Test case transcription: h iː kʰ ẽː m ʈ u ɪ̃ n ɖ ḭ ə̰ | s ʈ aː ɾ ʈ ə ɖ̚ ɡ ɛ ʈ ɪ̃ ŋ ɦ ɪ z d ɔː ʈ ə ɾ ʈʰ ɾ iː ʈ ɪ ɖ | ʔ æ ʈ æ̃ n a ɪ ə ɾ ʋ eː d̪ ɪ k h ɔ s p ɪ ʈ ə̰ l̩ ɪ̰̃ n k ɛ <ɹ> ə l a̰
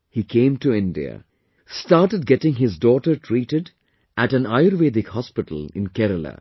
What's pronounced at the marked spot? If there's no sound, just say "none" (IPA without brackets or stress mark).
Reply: ɾ